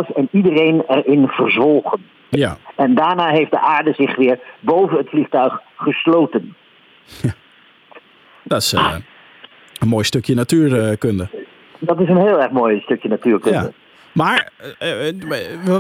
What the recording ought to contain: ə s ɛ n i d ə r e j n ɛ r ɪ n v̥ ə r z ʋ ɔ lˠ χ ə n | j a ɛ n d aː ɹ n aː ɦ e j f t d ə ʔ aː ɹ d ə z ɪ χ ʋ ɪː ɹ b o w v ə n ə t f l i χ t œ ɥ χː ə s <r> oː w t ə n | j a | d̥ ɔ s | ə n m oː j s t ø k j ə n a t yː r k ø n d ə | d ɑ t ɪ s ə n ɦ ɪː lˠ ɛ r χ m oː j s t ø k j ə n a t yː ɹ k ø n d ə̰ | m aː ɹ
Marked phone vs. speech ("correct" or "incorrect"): incorrect